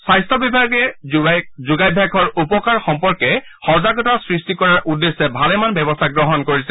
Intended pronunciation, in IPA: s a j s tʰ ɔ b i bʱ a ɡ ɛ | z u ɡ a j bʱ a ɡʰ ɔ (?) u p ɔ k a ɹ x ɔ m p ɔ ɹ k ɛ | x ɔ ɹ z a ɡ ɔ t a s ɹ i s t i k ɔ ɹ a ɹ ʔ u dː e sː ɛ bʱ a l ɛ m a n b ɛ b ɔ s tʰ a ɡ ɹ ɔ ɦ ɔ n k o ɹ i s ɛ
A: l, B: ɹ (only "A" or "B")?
B